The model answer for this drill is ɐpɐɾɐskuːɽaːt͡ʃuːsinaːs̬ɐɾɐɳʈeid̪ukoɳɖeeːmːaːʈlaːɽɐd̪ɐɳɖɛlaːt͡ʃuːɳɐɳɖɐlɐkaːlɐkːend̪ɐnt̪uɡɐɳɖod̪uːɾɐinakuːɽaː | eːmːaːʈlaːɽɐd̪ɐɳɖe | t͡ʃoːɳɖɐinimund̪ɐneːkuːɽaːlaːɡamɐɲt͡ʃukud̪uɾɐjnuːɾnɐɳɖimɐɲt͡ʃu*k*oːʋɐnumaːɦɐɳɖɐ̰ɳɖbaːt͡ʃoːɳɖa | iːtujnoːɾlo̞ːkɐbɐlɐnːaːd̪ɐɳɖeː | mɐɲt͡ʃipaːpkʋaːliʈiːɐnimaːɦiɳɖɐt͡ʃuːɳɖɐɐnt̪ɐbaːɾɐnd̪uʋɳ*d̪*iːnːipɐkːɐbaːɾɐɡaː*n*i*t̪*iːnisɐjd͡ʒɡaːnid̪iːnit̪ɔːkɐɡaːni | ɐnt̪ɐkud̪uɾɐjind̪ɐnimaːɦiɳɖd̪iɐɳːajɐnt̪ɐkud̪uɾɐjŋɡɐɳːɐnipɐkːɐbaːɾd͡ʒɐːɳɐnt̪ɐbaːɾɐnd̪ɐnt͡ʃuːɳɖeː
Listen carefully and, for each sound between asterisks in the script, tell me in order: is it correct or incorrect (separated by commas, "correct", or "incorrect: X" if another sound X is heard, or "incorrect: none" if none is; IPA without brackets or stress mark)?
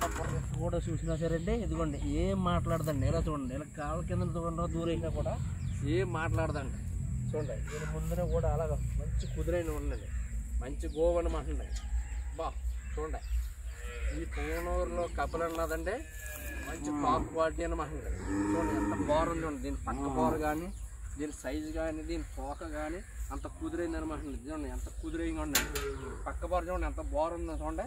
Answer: incorrect: ɡ, correct, correct, incorrect: d̪